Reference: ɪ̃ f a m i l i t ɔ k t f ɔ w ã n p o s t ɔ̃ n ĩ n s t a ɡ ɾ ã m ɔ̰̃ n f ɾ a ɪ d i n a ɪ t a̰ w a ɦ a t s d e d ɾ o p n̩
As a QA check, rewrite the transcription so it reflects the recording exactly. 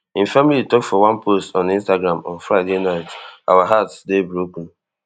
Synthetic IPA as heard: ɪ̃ f a m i l i t ɔ k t f ɔ w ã n p o s t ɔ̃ n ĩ n s t a ɡ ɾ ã m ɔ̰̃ n f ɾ a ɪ d e n a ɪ t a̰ w a ɦ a t s d e b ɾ o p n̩